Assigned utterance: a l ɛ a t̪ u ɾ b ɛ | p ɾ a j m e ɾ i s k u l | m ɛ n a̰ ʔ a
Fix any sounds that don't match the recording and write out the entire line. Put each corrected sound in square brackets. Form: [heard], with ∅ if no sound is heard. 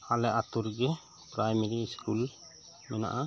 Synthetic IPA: a l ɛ a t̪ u ɾ [ɡ] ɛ | p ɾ a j m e ɾ i s k u l | m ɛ n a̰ ʔ a